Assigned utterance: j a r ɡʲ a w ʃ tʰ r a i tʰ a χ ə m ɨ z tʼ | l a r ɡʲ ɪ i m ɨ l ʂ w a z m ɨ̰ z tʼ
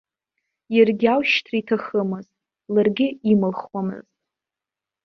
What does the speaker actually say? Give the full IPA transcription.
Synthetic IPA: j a r ɡʲ a w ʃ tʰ r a i tʰ a χ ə m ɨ z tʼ | l a r ɡʲ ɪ i m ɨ l χ w a m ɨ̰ z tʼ